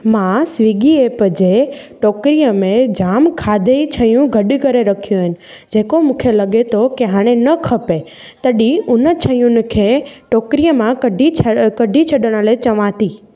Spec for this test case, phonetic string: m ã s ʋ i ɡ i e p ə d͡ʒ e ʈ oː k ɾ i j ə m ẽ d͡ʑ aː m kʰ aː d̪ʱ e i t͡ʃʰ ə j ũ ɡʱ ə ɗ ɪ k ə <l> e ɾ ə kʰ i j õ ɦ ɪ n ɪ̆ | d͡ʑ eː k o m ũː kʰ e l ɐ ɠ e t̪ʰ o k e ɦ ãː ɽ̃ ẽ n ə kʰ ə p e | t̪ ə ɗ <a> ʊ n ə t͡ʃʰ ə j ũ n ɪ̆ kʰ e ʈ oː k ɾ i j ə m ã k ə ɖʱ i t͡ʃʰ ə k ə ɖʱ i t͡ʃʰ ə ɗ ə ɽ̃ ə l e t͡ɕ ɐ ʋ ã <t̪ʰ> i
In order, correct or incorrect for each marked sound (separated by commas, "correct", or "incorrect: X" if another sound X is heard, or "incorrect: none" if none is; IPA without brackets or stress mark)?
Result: incorrect: ɾ, incorrect: i, incorrect: t̪